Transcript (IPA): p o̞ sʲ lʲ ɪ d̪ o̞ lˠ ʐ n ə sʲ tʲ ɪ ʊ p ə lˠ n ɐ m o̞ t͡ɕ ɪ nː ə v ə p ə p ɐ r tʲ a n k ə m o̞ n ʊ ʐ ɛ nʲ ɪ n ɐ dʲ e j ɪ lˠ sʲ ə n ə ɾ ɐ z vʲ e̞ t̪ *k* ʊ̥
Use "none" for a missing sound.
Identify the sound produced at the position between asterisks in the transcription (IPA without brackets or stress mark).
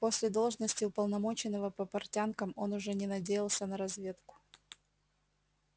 k